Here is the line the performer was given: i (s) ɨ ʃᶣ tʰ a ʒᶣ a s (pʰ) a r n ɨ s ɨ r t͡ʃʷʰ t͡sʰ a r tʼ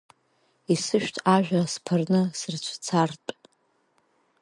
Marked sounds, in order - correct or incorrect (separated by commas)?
correct, correct